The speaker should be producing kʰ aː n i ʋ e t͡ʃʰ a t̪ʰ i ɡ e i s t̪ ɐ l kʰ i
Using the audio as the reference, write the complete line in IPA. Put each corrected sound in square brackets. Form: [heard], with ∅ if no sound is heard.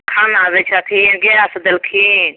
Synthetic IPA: kʰ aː n [a] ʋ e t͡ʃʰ a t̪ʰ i ɡ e [a] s [d̪] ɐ l kʰ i